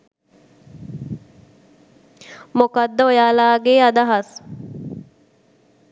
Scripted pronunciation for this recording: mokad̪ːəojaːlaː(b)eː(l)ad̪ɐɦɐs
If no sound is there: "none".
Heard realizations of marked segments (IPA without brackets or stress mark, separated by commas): ɡ, none